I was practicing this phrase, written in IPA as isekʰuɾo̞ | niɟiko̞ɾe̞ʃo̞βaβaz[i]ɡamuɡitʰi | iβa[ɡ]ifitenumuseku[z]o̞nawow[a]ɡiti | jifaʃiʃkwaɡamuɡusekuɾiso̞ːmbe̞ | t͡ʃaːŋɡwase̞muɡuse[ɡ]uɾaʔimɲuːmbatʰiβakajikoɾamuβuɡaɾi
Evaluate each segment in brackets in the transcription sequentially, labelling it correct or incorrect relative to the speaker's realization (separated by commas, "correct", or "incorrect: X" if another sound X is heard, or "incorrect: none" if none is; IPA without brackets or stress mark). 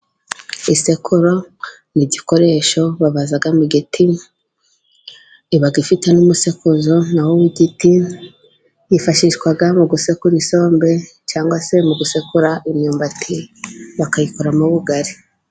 incorrect: a, correct, correct, incorrect: i, incorrect: k